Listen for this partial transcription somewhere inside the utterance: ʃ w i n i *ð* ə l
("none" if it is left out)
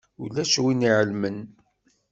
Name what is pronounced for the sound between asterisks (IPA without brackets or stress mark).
ʕ